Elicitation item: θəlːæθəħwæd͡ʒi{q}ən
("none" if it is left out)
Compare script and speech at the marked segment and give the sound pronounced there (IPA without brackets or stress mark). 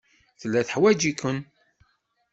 k